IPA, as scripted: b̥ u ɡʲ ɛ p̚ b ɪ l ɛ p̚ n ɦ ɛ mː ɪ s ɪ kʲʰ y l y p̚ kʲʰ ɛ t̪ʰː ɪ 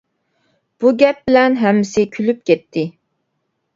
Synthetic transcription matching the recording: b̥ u ɡʲ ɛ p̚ b ɪ l ɛ n ɦ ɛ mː ɪ s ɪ kʲʰ y l y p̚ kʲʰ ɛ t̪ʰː ɪ